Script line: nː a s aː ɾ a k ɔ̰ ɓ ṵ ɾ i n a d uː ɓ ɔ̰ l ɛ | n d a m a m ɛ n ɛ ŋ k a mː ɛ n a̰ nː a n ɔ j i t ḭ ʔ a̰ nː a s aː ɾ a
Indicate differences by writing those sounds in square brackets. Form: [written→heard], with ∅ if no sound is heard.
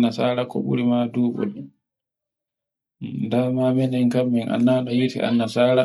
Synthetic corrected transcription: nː a s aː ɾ a k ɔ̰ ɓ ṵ ɾ i [n→m] a d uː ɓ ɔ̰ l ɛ | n d a m a m ɛ n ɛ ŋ k a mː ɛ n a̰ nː a n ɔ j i t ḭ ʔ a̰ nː a s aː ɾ a

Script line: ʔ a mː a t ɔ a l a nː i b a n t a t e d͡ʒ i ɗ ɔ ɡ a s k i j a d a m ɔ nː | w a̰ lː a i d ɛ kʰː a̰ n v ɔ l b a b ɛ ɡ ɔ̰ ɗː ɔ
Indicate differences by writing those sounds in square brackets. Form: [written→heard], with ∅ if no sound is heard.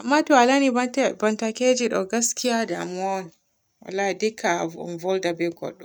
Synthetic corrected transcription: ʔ a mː a t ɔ a l a [nː→n] i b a n t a [t→k] e d͡ʒ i ɗ ɔ ɡ a s k i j a d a m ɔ [nː→n] | w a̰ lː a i d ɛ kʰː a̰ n v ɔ l [b→d] a b ɛ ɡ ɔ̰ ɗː ɔ

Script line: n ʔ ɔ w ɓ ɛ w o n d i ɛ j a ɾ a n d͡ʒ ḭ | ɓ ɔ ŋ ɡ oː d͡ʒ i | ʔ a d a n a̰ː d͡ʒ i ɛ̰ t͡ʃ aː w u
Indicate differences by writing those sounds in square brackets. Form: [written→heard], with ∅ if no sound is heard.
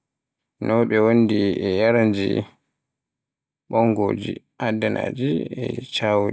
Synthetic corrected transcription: n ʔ ɔ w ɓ ɛ w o n d i ɛ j a ɾ a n d͡ʒ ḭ | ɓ ɔ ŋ ɡ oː d͡ʒ i | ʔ a d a n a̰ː d͡ʒ i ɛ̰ t͡ʃ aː w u

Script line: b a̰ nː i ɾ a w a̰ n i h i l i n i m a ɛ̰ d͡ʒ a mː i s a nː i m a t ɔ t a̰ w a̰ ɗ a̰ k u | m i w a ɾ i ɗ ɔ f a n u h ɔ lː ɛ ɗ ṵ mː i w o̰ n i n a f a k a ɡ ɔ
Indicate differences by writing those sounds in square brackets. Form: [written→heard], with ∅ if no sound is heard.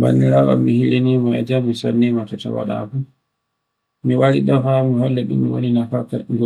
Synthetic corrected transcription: b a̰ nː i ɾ a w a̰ [n→m] i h i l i n i m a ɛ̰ d͡ʒ a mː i s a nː i m a t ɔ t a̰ w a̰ ɗ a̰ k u | m i w a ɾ i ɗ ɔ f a [n→m] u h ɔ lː ɛ ɗ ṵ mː i w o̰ n i n a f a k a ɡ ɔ

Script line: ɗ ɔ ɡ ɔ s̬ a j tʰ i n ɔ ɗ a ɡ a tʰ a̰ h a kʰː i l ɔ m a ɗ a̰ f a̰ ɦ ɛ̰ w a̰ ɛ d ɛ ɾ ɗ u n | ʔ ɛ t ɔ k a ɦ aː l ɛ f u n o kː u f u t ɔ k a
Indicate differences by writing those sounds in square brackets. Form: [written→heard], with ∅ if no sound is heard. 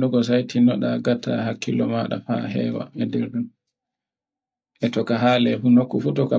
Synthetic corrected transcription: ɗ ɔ ɡ ɔ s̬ a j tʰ i n ɔ ɗ a ɡ a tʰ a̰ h a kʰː i l ɔ m a ɗ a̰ f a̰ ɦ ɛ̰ w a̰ ɛ d ɛ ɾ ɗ u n | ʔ ɛ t ɔ k a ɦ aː l ɛ f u n o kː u f u t ɔ k a

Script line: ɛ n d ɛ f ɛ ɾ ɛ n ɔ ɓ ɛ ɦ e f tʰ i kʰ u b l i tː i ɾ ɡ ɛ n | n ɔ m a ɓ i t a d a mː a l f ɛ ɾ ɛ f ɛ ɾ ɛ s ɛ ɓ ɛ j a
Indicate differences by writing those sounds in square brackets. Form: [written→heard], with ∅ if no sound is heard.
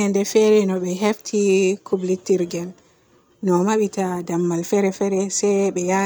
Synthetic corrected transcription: ɛ n d ɛ f ɛ ɾ ɛ n ɔ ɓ ɛ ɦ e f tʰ i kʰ u b l i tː i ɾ ɡ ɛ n | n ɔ m a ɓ i t a d a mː a l f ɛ ɾ ɛ f ɛ ɾ ɛ s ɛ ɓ ɛ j a

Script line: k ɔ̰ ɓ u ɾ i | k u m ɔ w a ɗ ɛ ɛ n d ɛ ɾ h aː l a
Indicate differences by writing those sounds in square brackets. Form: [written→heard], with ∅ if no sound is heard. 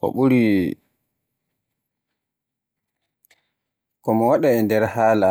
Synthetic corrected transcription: k ɔ̰ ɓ u ɾ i | k [u→ɔ] m ɔ w a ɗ [ɛ→a] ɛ n d ɛ ɾ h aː l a

